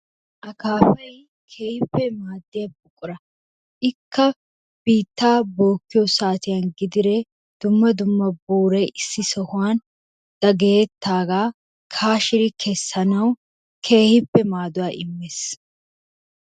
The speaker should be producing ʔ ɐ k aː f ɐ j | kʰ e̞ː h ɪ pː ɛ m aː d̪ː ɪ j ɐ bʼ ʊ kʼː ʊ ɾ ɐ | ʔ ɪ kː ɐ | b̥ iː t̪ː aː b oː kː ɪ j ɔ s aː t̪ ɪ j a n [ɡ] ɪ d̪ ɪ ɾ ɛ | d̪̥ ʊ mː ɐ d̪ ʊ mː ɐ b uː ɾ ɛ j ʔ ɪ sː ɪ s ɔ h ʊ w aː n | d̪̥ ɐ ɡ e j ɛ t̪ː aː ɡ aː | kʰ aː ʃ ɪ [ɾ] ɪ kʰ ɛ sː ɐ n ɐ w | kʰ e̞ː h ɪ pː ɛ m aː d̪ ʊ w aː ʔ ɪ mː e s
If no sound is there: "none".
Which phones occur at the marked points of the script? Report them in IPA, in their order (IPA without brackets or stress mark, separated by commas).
ɡ, ɾ